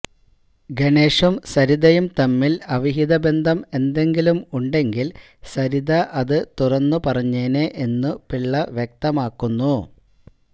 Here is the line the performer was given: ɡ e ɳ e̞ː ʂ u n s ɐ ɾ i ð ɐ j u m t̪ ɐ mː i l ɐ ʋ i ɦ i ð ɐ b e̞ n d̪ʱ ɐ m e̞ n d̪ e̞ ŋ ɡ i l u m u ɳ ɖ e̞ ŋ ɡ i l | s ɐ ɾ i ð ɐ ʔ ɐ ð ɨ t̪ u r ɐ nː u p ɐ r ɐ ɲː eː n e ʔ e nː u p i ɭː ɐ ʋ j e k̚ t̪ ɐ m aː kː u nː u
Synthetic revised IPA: ɡ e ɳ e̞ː ʂ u m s ɐ ɾ i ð ɐ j u m t̪ ɐ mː i l ɐ ʋ i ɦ i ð ɐ b e̞ n d̪ʱ ɐ m e̞ n d̪ e̞ ŋ ɡ i l u m u ɳ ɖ e̞ ŋ ɡ i l | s ɐ ɾ i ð ɐ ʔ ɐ ð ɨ t̪ u r ɐ nː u p ɐ r ɐ ɲː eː n e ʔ e nː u p i ɭː ɐ ʋ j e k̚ t̪ ɐ m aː kː u nː u